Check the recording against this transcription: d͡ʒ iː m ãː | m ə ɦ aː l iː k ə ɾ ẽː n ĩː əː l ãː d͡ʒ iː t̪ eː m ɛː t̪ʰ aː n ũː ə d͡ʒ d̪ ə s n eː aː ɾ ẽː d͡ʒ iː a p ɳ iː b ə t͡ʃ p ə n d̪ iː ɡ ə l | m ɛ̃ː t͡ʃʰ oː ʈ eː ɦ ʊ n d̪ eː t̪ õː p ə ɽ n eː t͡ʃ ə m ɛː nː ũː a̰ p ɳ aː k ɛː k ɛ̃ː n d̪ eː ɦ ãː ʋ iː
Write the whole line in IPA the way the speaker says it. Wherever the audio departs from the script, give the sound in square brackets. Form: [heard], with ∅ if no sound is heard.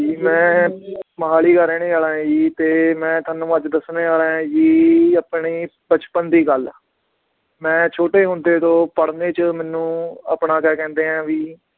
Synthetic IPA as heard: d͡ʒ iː m [ɛ̃ː] | m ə ɦ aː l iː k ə ɾ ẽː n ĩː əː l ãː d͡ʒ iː t̪ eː m [ɛ̃ː] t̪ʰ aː n ũː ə d͡ʒ d̪ ə s n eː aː ɾ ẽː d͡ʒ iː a p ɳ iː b ə t͡ʃ p ə n d̪ iː ɡ ə l | m ɛ̃ː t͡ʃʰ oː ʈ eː ɦ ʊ n d̪ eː t̪ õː p ə ɽ n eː t͡ʃ ə m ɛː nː ũː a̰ p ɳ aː k ɛː k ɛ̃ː n d̪ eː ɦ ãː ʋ iː

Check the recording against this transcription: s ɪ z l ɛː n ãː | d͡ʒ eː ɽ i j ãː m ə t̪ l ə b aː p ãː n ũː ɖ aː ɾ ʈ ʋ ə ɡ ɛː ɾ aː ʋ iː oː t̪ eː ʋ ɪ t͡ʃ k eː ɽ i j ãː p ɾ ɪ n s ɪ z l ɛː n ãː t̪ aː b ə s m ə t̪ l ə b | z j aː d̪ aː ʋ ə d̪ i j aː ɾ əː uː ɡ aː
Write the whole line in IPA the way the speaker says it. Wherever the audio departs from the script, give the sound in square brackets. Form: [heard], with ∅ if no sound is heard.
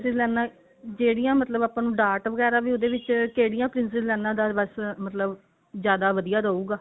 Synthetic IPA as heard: s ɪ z l ɛː n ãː | d͡ʒ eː ɽ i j ãː m ə t̪ l ə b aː p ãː n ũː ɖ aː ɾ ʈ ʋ ə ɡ ɛː ɾ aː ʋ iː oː [d̪] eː ʋ ɪ t͡ʃ k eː ɽ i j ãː p ɾ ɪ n s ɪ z l ɛː n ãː [d̪] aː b ə s m ə t̪ l ə b | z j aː d̪ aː ʋ ə d̪ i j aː ɾ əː uː ɡ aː

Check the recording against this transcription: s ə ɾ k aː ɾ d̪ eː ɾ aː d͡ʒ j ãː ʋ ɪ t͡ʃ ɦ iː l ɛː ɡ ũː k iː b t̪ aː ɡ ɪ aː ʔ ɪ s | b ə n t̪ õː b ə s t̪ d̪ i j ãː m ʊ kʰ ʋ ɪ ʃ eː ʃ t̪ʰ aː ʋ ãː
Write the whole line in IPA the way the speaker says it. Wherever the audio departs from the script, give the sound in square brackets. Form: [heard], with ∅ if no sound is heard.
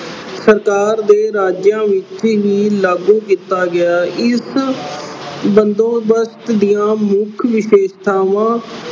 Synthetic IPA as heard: s ə ɾ k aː ɾ d̪ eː ɾ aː d͡ʒ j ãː ʋ ɪ t͡ʃ ɦ iː l [aː] ɡ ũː k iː [∅] t̪ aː ɡ ɪ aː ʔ ɪ s | b ə n [d̪] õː b ə s t̪ d̪ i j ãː m ʊ kʰ ʋ ɪ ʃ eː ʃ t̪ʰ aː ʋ ãː

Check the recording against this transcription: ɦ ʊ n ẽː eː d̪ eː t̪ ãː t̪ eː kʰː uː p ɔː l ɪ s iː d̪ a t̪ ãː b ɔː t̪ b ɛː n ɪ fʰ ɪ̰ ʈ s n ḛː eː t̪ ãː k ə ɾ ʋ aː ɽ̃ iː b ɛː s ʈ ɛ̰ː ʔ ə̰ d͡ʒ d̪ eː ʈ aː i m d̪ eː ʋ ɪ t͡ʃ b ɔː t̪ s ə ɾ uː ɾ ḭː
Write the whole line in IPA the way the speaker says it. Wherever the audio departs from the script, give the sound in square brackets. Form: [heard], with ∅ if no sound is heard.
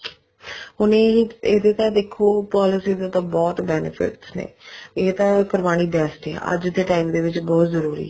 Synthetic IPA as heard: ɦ ʊ n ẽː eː d̪ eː t̪ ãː [d̪] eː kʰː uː p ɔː l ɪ s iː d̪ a t̪ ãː b ɔː t̪ b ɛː n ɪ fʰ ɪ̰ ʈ s n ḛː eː t̪ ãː k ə ɾ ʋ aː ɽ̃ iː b ɛː s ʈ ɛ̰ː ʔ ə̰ d͡ʒ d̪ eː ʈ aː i m d̪ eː ʋ ɪ t͡ʃ b ɔː t̪ [z] ə ɾ uː ɾ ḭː

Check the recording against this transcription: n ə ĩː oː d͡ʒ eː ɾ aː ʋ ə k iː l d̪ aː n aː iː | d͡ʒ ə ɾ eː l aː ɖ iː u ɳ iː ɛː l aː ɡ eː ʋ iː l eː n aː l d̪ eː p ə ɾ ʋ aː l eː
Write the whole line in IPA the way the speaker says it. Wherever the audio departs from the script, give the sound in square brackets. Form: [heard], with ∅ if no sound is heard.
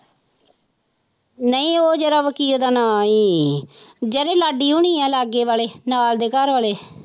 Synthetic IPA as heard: n ə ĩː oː d͡ʒ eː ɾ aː ʋ ə k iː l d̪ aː n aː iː | d͡ʒ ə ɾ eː l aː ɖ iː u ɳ iː ɛː l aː ɡ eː ʋ [aː] l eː n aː l d̪ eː [k] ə ɾ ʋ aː l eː

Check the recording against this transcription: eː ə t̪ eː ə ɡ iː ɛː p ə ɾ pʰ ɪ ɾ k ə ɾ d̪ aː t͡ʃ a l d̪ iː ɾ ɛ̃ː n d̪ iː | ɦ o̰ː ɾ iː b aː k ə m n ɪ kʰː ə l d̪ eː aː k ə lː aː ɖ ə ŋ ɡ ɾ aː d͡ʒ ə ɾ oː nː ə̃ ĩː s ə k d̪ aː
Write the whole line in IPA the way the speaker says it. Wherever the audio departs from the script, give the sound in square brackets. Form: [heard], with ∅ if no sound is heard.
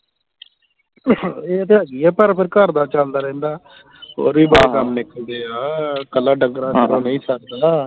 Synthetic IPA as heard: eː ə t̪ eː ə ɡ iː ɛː p ə ɾ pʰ ɪ ɾ k ə ɾ d̪ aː t͡ʃ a l d̪ [aː] ɾ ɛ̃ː n d̪ [aː] | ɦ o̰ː ɾ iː b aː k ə m n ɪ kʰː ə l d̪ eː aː k ə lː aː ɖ ə ŋ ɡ ɾ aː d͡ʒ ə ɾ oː [n] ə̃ ĩː s ə k d̪ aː

